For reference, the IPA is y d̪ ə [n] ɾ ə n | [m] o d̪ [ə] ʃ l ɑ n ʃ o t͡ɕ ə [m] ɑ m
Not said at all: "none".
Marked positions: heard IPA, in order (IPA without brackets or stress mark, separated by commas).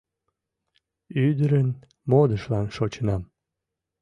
none, m, ə, n